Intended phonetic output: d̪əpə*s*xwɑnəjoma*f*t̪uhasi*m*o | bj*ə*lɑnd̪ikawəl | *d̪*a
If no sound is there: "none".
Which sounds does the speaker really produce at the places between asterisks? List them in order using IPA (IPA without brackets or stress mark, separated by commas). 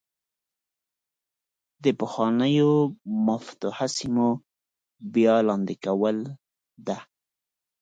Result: none, f, m, ɑ, d̪